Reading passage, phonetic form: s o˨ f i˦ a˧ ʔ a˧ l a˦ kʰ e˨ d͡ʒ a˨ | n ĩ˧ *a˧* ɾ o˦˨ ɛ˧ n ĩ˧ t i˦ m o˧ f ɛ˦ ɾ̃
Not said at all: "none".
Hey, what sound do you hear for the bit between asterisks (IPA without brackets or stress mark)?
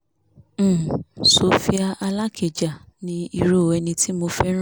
i˧